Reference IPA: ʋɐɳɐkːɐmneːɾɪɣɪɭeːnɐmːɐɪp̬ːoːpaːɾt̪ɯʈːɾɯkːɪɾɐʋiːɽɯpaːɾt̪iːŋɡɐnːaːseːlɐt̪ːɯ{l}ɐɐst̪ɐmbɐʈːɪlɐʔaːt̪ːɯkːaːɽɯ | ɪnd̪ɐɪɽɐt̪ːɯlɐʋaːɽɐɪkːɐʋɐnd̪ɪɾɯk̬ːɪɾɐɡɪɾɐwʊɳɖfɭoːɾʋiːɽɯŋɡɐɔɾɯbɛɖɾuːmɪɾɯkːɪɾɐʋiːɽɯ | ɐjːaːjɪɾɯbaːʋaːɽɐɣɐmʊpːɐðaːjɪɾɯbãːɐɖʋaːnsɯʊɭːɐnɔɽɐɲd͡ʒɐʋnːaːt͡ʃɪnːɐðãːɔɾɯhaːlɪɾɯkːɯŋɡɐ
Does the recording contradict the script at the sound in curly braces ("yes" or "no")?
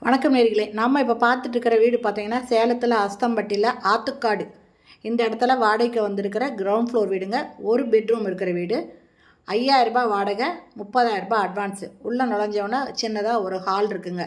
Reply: no